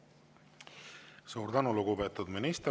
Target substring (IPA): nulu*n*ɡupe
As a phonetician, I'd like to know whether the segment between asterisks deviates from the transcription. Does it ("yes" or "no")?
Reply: yes